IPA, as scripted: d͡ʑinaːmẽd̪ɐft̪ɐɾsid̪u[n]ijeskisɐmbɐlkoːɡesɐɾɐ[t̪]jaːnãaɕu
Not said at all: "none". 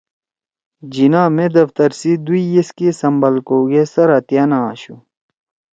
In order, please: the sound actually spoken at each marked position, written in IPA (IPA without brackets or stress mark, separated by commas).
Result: none, t̪